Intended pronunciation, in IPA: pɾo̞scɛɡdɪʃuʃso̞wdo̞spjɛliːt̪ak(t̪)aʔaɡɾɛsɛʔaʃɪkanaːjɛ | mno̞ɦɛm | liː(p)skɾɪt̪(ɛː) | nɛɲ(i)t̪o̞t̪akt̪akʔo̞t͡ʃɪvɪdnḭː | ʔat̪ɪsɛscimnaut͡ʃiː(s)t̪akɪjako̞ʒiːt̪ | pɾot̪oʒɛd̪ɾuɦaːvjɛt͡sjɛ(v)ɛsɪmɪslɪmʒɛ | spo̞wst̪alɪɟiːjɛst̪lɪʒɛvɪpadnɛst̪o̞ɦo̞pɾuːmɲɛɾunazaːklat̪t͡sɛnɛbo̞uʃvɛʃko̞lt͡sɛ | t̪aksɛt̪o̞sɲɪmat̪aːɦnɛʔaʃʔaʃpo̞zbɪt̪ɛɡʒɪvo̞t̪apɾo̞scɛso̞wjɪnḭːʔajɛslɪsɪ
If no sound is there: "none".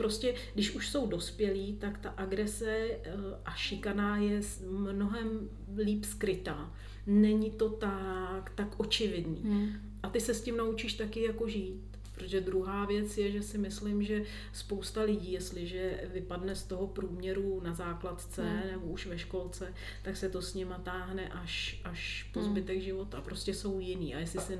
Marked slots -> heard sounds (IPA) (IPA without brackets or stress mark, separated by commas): t̪, p, aː, ɪ, ʃ, ʒ